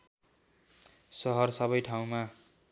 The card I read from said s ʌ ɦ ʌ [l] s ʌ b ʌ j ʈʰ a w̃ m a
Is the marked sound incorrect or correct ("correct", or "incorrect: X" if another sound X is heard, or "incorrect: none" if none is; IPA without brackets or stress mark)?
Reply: incorrect: r